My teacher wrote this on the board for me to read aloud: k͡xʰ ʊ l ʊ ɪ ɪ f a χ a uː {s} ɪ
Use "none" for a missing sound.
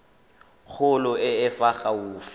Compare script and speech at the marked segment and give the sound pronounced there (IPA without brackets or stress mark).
f